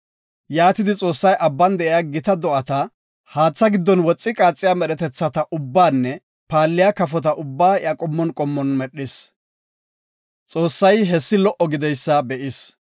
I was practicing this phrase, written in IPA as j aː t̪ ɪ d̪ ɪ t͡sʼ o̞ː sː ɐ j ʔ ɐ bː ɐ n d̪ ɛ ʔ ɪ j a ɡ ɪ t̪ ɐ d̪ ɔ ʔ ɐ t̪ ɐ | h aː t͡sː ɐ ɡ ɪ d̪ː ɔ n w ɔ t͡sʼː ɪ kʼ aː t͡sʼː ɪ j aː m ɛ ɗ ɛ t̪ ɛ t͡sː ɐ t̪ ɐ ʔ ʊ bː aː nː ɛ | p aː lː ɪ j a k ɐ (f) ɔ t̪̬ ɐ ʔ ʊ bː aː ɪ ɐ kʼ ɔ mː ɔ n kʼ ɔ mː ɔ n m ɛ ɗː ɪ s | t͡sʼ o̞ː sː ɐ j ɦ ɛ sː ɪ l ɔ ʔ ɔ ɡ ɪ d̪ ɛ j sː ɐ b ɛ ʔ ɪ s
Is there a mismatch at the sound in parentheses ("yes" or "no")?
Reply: no